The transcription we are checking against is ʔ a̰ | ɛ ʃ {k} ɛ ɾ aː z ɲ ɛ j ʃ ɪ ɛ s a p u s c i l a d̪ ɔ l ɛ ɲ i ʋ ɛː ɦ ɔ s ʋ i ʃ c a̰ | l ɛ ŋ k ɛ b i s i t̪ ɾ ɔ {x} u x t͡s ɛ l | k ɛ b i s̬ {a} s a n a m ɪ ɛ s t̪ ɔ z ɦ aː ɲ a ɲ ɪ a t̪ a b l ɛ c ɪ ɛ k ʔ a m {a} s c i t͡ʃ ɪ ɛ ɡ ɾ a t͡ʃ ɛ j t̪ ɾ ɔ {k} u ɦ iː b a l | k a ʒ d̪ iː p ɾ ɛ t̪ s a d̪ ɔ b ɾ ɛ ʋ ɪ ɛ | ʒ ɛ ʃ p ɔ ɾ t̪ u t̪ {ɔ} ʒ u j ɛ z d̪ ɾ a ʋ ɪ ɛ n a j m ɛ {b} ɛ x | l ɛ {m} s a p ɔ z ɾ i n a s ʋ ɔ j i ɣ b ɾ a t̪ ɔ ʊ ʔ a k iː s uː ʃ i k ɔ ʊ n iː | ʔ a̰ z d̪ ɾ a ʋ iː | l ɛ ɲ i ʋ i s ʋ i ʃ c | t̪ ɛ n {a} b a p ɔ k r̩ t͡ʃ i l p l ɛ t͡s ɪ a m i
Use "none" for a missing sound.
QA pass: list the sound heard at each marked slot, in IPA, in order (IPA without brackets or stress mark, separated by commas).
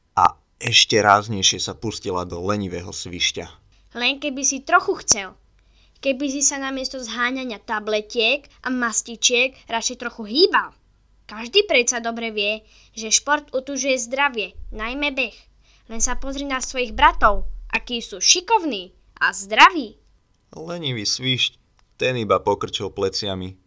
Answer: c, x, i, a, x, u, b, n, i